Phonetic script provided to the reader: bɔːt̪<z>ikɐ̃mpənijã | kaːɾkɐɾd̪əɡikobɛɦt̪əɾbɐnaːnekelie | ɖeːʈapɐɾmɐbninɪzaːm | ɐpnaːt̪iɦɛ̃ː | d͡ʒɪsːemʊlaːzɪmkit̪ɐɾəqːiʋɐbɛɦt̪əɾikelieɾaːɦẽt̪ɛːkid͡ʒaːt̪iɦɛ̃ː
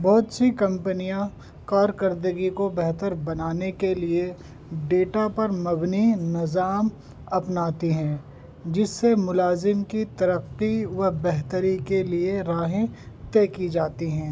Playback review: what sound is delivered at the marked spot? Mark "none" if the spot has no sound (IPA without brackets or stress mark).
s